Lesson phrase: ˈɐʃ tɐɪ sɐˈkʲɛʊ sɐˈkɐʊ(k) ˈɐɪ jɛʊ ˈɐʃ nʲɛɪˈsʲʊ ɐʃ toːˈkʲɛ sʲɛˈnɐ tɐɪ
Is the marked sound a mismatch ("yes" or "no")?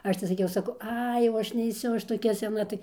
yes